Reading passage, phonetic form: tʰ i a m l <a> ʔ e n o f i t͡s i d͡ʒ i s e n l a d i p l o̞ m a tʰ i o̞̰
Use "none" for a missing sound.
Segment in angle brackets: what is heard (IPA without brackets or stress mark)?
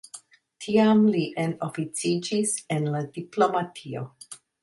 i